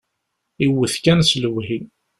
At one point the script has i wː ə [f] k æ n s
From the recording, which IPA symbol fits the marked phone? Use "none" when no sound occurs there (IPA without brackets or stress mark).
θ